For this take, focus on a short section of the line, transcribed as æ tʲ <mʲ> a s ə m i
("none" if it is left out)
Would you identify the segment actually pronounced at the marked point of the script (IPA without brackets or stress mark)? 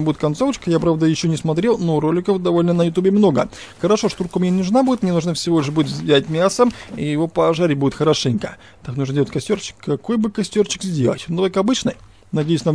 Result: mʲ